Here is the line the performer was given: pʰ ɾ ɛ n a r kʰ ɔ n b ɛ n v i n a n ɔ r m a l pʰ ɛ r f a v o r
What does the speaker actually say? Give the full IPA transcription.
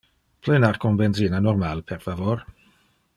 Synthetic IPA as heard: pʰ l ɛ n a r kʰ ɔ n b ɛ n z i n a n ɔ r m a l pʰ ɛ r f a v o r